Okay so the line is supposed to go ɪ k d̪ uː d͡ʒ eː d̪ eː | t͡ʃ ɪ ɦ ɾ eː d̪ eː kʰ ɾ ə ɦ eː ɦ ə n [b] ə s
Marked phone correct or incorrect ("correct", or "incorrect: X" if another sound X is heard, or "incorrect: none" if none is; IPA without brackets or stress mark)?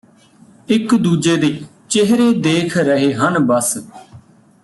correct